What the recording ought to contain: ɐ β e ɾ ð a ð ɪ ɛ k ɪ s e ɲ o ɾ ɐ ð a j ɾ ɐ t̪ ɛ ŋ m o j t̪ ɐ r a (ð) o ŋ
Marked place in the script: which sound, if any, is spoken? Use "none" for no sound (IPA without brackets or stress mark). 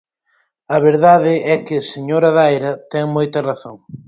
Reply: θ